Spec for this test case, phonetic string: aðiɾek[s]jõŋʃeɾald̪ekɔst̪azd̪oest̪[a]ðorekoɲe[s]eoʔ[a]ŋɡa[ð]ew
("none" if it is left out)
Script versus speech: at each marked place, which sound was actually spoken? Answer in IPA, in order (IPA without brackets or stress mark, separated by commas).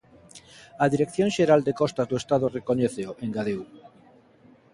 θ, a, θ, e, ð